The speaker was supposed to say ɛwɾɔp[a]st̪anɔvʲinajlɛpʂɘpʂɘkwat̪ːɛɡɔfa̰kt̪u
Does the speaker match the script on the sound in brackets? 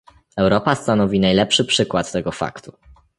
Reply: yes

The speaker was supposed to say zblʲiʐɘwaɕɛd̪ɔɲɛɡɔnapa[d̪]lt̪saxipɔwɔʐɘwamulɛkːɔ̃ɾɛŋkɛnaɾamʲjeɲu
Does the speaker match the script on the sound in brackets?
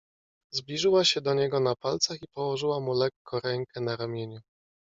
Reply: no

